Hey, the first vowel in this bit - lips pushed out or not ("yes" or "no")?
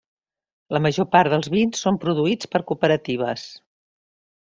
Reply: no